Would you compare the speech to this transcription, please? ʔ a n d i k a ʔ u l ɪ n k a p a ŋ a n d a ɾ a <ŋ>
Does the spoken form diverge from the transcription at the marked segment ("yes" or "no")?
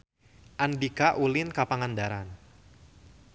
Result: yes